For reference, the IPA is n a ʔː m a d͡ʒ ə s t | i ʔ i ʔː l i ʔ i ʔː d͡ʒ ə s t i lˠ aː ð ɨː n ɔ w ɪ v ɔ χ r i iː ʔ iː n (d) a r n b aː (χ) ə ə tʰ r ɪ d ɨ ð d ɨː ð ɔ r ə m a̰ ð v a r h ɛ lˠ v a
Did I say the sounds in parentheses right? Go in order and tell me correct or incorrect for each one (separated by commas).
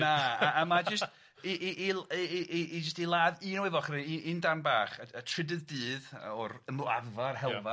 correct, correct